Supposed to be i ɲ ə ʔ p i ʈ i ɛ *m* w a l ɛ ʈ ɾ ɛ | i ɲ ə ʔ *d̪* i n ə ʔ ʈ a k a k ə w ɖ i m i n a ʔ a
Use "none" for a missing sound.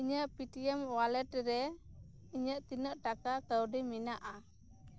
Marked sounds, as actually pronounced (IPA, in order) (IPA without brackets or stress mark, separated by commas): m, t̪